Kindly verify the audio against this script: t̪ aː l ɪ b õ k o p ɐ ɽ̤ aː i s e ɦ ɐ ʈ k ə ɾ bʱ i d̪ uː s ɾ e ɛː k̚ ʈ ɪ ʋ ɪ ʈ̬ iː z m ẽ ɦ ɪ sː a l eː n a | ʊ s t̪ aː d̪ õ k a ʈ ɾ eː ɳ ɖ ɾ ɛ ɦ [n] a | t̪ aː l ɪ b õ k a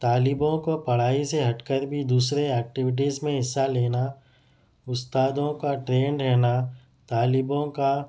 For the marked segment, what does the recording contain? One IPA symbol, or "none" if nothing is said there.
n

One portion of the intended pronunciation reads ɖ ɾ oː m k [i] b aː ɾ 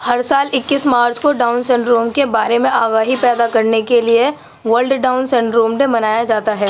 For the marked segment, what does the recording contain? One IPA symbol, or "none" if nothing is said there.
e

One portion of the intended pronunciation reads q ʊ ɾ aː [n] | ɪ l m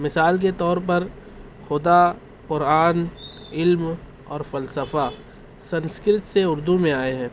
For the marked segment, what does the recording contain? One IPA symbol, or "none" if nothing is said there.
n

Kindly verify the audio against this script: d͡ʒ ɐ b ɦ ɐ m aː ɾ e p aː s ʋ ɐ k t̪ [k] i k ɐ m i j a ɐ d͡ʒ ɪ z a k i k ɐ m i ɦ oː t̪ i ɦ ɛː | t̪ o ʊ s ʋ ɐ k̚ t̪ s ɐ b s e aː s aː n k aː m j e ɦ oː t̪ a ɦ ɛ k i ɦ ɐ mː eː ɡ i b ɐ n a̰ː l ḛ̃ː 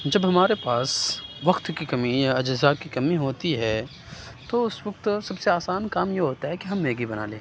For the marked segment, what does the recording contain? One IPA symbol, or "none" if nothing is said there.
k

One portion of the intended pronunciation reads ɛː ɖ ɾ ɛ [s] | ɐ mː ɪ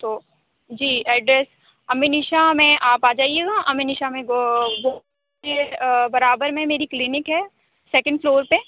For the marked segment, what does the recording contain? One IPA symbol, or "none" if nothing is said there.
s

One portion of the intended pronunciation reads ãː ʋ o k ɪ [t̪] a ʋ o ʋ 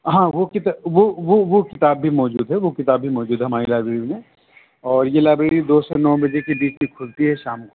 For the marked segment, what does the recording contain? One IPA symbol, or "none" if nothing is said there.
t̪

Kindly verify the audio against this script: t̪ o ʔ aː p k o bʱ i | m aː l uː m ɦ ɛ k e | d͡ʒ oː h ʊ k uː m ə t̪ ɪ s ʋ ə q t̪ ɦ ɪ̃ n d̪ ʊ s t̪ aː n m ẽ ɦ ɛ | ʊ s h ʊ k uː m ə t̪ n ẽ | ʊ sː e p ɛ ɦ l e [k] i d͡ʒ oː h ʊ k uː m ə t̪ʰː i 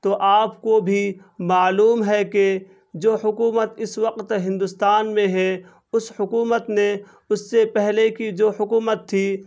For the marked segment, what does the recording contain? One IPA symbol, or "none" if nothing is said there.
k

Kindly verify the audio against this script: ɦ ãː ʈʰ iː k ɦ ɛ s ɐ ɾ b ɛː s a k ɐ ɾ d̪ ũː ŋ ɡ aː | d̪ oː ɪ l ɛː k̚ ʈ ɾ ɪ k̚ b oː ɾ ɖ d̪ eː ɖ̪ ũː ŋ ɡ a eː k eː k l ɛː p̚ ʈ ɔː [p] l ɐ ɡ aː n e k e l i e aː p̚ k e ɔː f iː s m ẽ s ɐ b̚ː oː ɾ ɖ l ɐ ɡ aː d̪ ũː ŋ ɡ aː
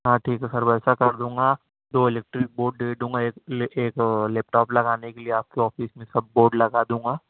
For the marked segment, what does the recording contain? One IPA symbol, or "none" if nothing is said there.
p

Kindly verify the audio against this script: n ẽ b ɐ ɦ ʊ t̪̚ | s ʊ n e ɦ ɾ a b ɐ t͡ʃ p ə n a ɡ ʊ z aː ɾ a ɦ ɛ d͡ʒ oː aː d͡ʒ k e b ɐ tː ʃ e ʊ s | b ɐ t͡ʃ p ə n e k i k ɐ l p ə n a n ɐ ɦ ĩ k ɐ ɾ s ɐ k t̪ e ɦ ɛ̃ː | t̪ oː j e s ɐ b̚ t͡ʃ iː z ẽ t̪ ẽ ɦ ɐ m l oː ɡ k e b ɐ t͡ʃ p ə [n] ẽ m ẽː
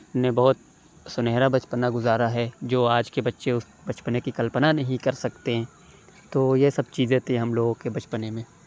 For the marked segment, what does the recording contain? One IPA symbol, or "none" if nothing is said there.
n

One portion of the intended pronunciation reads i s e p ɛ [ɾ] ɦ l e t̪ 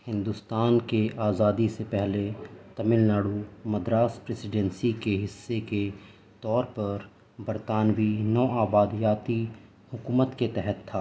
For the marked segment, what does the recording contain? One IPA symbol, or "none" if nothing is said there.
none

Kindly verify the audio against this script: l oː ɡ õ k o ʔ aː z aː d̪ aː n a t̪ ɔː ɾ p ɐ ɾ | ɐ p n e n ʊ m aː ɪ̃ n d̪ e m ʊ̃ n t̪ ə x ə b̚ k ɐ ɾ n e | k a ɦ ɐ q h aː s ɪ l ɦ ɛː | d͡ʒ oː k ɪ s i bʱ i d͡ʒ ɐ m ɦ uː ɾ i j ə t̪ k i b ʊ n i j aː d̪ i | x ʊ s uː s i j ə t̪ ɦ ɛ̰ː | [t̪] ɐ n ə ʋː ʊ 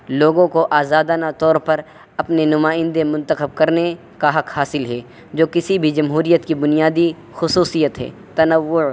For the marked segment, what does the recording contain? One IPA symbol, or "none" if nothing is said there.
t̪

